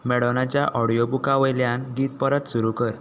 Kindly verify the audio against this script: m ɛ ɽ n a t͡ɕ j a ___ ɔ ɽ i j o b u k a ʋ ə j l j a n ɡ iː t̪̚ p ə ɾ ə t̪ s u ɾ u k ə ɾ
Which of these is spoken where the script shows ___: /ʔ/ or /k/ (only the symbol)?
ʔ